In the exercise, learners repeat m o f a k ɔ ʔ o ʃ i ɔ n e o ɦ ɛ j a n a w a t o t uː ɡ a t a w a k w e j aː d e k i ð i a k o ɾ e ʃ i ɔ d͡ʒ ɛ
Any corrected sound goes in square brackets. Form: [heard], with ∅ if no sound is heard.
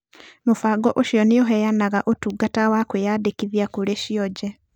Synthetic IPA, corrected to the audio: m o f a [ɡ] ɔ ʔ o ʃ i ɔ n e o ɦ ɛ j a n a [ɣ] a [ʔ] o t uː ɡ a t a w a k w e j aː d e k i ð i a k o ɾ e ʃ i ɔ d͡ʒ ɛ